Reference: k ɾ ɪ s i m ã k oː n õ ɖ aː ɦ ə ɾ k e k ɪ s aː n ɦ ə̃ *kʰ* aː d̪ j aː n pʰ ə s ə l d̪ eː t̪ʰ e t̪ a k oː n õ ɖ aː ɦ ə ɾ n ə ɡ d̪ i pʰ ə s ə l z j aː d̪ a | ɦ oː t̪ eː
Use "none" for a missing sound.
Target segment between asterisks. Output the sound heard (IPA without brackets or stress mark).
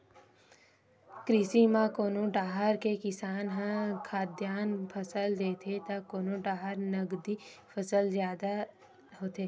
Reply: kʰ